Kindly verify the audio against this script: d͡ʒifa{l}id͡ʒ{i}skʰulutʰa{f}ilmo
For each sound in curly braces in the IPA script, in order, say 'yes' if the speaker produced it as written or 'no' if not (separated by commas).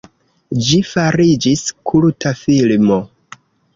no, yes, yes